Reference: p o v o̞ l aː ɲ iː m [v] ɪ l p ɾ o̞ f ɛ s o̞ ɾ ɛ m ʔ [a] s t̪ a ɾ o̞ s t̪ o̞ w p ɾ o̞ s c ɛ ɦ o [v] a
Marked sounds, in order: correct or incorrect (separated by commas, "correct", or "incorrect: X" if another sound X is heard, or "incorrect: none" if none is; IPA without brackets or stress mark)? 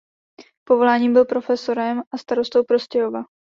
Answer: incorrect: b, correct, correct